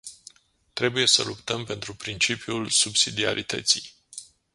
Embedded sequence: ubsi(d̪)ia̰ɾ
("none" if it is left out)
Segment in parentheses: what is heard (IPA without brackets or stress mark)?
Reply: d̪